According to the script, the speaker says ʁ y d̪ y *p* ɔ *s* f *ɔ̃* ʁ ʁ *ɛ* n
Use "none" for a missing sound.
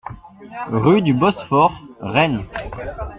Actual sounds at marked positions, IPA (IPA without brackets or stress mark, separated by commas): b, s, ɔ, ɛ